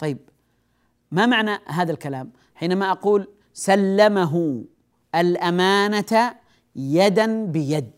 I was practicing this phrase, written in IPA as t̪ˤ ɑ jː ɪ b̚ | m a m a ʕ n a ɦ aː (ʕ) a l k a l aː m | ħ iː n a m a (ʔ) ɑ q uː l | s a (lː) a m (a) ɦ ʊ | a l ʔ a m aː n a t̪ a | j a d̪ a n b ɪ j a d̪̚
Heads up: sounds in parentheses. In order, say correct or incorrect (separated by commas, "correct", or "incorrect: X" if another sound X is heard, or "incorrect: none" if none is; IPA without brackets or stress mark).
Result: incorrect: ð, correct, correct, correct